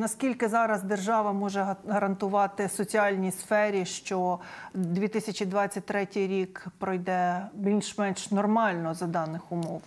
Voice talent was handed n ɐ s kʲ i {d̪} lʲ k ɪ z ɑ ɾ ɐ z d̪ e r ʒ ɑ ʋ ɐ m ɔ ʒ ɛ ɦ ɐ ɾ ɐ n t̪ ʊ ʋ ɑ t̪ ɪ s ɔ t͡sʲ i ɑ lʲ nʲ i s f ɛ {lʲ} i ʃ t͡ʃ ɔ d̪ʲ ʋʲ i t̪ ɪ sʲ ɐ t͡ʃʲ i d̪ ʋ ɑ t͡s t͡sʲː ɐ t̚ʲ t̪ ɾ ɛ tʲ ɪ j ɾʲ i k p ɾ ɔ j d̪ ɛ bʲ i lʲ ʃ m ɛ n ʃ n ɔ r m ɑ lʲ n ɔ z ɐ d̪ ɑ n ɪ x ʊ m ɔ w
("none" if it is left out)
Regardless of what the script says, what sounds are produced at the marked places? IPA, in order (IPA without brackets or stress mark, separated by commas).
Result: none, ɾʲ